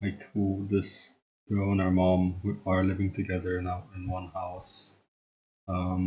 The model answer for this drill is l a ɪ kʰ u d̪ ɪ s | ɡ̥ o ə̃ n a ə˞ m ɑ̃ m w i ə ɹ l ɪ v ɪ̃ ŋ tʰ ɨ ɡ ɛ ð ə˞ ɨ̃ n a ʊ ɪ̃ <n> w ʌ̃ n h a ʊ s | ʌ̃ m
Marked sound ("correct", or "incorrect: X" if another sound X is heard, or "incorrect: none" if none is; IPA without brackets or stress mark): correct